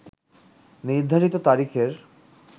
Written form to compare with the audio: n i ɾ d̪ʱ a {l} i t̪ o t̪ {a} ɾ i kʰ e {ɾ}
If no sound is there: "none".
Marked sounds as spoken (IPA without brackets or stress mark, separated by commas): ɾ, a, ɾ